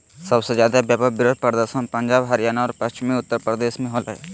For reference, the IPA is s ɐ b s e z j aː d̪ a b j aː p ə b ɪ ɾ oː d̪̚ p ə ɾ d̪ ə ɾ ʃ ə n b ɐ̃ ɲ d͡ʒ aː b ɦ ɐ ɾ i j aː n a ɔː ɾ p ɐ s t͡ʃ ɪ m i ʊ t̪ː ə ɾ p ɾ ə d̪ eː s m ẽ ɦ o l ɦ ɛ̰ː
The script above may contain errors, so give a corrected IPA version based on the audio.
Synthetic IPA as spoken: s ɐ b s e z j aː d̪ a b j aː p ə b ɪ ɾ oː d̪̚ p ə ɾ d̪ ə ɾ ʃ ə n p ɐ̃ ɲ d͡ʒ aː b ɦ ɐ ɾ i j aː n a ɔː ɾ p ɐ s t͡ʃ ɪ m i ʊ t̪ː ə ɾ p ɾ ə d̪ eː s m ẽ ɦ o l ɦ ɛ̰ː